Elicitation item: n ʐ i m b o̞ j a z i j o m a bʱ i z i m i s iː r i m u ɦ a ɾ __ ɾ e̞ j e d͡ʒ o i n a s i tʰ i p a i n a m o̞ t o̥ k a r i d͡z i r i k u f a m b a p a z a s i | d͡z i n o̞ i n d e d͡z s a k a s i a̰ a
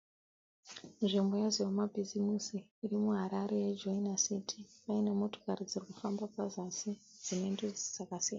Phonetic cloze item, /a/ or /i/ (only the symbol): a